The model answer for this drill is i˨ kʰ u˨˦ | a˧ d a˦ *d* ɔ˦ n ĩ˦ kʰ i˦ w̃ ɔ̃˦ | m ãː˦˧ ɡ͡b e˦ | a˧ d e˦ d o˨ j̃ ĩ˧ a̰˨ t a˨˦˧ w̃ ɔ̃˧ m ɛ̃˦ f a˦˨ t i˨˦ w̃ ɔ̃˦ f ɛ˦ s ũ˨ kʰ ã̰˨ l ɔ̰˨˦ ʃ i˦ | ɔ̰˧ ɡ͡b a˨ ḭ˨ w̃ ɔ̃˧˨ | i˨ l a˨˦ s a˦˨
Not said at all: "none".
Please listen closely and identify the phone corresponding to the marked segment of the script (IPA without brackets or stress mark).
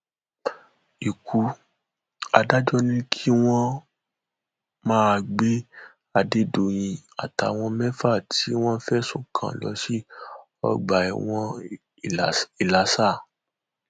d͡ʒ